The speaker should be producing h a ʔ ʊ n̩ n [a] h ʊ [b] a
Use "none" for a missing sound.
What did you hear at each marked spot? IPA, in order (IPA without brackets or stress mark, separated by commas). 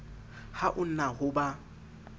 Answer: a, b